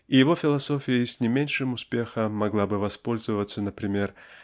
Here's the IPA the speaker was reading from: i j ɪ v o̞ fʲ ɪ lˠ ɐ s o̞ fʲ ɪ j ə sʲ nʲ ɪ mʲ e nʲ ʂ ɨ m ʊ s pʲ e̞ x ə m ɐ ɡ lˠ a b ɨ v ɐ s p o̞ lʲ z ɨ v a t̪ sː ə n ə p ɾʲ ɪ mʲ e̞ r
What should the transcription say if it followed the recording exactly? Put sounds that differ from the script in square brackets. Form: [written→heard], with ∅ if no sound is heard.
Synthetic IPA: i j ɪ v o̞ fʲ ɪ lˠ ɐ s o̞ fʲ ɪ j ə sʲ nʲ ɪ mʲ e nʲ ʂ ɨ m ʊ s pʲ e̞ x ə m ɐ ɡ lˠ a b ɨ v ɐ s p o̞ lʲ z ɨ v [a→ə] t̪ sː ə n ə p ɾʲ ɪ mʲ e̞ r